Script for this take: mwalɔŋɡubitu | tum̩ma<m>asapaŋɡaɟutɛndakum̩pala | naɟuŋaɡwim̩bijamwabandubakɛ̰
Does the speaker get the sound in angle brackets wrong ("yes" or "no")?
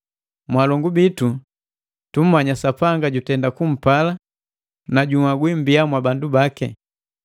yes